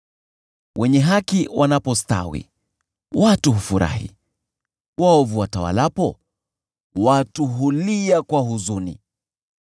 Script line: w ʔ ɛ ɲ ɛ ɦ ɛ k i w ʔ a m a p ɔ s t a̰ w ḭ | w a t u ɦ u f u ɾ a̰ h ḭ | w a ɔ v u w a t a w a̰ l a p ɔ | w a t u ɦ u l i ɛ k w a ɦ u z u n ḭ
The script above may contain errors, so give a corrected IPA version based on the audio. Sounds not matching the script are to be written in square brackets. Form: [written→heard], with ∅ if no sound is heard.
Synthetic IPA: w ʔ ɛ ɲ ɛ ɦ [ɛ→a] k i w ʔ a [m→n] a p ɔ s t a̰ w ḭ | w a t u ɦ u f u ɾ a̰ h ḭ | w a ɔ v u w a t a w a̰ l a p ɔ | w a t u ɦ u l i [ɛ→a] k w a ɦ u z u n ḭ

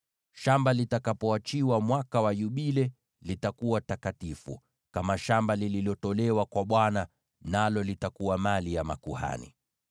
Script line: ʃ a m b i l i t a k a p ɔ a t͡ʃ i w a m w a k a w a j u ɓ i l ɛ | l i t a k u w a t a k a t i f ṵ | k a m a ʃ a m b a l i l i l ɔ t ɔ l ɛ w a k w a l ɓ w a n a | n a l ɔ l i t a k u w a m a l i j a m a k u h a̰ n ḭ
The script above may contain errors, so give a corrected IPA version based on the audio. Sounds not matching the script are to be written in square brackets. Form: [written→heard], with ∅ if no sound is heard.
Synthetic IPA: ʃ a m b [i→a] l i t a k a p ɔ a t͡ʃ i w a m w a k a w a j u ɓ i l ɛ | l i t a k u w a t a k a t i f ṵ | k a m a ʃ a m b a l i l i l ɔ t ɔ l ɛ w a k w a [l→∅] ɓ w a n a | n a l ɔ l i t a k u w a m a l i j a m a k u h a̰ n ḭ

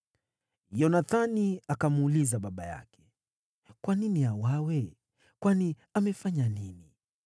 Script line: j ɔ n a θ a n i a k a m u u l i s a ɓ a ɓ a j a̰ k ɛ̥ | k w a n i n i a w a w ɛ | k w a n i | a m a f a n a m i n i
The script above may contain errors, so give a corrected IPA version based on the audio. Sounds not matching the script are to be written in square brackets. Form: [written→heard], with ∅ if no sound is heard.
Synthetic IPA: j ɔ n a θ a n i a k a m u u l i [s→z] a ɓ a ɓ a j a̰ k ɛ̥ | k w a n i n i a w a w ɛ | k w a n i | a m [a→ɛ] f a [n→ɲ] a [m→n] i n i

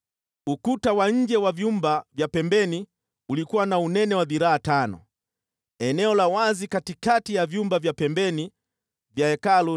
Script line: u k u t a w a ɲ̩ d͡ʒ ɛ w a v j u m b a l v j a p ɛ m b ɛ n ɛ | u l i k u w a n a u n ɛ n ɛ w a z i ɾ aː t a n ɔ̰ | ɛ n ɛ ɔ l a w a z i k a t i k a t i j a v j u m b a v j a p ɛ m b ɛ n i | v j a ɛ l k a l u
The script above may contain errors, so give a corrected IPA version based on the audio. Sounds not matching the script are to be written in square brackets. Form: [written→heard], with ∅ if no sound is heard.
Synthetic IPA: u k u t a w a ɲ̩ d͡ʒ ɛ w a v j u m b a [l→∅] v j a p ɛ m b ɛ n [ɛ→i] | u l i k u w a n a u n ɛ n ɛ w a [z→ð] i ɾ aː t a n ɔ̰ | ɛ n ɛ ɔ l a w a z i k a t i k a t i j a v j u m b a v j a p ɛ m b ɛ n i | v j a ɛ [l→∅] k a l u

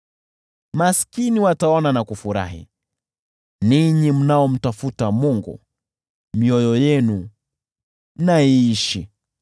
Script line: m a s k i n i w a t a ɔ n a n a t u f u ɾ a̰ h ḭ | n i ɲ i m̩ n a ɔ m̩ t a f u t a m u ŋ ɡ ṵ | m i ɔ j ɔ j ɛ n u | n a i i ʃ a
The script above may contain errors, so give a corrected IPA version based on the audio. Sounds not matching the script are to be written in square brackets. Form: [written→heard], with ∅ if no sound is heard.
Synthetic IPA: m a s k i n i w a t a ɔ n a n a [t→k] u f u ɾ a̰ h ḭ | n i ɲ i m̩ n a ɔ m̩ t a f u t a m u ŋ ɡ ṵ | m i ɔ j ɔ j ɛ n u | n a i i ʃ [a→i]

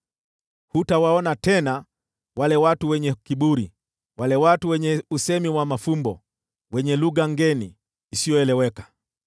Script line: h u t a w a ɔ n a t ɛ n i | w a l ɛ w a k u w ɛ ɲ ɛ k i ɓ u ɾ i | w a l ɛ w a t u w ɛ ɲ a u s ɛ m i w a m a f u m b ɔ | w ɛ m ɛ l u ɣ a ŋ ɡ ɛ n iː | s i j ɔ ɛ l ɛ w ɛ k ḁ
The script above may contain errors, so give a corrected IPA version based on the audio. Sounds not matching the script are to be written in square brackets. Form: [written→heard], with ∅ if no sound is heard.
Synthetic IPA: h u t a w a ɔ n a t ɛ n [i→a] | w a l ɛ w a [k→t] u w ɛ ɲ ɛ k i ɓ u ɾ i | w a l ɛ w a t u w ɛ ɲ [a→ɛ] u s ɛ m i w a m a f u m b ɔ | w ɛ [m→ɲ] ɛ l u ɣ a ŋ ɡ ɛ n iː | s i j ɔ ɛ l ɛ w ɛ k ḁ

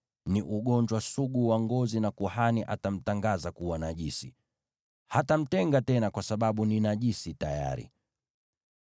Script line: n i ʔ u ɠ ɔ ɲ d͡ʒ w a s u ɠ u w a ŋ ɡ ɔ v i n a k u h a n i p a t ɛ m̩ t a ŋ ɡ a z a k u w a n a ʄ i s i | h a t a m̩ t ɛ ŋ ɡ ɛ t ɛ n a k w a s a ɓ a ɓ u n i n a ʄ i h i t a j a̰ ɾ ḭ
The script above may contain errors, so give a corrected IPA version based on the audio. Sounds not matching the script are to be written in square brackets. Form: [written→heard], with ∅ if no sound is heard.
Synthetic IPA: n i ʔ u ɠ ɔ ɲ d͡ʒ w a s u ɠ u w a ŋ ɡ ɔ [v→z] i n a k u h a n i [p→ʔ] a t [ɛ→a] m̩ t a ŋ ɡ a z a k u w a n a ʄ i s i | h a t a m̩ t ɛ ŋ ɡ [ɛ→a] t ɛ n a k w a s a ɓ a ɓ u n i n a ʄ i [h→s] i t a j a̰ ɾ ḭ

